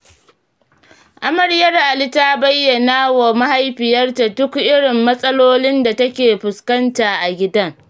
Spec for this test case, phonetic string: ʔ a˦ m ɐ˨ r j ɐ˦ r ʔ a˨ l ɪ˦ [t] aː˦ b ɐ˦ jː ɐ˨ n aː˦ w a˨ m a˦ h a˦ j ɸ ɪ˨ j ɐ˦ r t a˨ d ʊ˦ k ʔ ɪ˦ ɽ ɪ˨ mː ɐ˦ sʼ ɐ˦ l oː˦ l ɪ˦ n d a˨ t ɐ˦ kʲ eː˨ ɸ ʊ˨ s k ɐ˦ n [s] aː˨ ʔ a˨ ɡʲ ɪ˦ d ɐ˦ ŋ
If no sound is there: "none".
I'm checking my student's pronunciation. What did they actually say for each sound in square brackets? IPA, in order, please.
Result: t, t

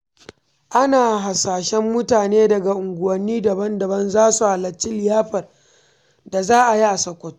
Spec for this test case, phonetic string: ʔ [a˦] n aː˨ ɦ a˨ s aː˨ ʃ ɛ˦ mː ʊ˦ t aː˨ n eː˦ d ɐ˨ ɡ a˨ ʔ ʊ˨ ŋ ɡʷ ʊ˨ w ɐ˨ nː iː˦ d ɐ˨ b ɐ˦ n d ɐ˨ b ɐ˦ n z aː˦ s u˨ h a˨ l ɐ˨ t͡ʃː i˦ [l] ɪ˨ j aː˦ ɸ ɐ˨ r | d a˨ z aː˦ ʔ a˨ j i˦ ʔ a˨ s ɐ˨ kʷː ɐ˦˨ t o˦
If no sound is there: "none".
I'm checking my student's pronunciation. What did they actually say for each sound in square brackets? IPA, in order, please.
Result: a˦, l

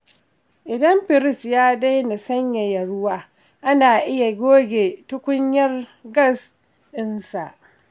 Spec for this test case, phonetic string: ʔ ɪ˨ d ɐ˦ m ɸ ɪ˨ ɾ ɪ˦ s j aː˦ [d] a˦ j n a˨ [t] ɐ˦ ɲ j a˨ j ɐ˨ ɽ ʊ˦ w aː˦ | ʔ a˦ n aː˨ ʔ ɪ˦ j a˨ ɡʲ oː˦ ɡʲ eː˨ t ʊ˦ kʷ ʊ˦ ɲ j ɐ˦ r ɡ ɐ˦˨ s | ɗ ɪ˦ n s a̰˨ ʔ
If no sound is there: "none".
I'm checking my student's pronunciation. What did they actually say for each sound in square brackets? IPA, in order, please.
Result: d, s

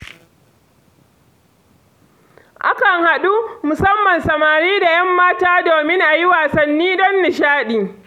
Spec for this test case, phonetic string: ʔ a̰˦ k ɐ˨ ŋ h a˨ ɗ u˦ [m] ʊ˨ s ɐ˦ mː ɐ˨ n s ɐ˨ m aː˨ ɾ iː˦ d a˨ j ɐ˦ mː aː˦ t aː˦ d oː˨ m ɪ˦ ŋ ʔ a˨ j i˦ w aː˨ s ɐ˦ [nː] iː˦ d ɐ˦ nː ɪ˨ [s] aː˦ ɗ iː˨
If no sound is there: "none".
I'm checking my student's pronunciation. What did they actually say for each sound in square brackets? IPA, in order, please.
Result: m, nː, ʃ

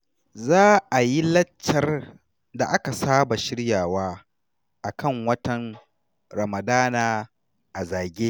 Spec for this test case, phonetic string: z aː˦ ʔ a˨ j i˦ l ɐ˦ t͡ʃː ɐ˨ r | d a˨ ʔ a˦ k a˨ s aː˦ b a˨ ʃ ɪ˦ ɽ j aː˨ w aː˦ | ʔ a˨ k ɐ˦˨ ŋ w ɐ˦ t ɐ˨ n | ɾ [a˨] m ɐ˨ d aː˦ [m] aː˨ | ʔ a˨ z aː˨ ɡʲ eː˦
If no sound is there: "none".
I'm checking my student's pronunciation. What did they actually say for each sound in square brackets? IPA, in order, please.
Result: ɐ˨, n

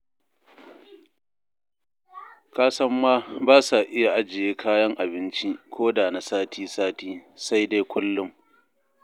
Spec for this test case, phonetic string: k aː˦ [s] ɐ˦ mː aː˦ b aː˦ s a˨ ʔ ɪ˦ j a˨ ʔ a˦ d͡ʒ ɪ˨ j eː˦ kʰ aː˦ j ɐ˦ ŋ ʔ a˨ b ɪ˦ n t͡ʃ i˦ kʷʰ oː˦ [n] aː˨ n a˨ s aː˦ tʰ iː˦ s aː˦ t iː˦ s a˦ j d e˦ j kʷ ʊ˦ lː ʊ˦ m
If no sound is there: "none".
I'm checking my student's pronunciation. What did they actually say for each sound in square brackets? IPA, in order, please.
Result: s, d

